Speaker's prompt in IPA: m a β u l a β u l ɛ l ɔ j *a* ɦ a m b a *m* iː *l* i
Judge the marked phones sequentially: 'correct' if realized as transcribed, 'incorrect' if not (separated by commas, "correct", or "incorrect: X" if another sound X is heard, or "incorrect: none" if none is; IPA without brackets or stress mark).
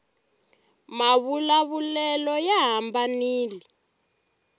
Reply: correct, incorrect: n, correct